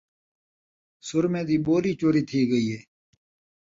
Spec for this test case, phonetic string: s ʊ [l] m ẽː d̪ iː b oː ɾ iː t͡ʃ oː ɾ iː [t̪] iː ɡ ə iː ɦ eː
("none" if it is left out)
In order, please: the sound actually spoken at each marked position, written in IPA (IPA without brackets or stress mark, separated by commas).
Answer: ɾ, t̪ʰ